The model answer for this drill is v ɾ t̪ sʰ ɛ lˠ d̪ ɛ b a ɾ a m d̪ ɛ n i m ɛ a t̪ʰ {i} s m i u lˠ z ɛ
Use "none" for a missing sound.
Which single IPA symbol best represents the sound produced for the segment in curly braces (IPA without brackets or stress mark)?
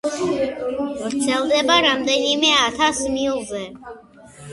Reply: a